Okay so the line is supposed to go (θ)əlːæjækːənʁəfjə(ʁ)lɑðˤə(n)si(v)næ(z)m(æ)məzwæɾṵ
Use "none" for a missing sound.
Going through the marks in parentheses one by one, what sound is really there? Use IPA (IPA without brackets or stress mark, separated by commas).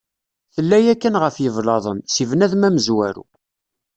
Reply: θ, v, n, v, ð, æ